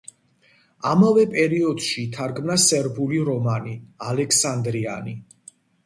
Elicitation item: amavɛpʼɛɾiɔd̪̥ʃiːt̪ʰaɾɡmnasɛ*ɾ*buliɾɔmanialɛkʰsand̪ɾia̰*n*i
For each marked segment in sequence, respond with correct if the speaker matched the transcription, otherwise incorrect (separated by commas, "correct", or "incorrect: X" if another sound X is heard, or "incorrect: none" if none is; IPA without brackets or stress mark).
correct, correct